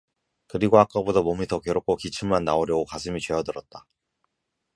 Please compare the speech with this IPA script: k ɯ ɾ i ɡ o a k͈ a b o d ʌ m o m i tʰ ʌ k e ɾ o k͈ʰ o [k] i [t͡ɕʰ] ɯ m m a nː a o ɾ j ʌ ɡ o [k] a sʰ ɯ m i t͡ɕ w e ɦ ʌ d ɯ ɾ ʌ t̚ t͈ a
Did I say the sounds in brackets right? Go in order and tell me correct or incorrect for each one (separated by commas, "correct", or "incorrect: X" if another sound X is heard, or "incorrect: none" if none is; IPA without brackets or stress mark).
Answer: correct, correct, correct